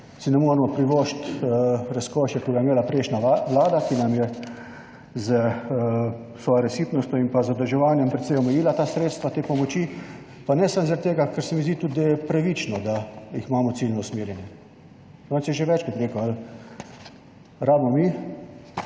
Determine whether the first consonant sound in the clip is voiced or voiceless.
voiceless